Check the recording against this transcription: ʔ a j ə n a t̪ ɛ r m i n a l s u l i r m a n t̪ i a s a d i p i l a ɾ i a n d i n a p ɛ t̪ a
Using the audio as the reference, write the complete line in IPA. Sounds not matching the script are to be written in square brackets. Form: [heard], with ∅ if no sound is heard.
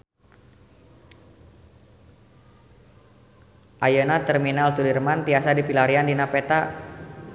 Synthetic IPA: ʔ a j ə n a t̪ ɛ r m i n a l s u l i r m a n t̪ i a s a d i p i l a ɾ i a n d i n a p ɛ t̪ a